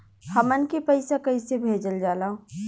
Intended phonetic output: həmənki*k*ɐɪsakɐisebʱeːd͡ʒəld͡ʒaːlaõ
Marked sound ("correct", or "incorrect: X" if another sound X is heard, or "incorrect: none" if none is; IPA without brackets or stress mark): incorrect: p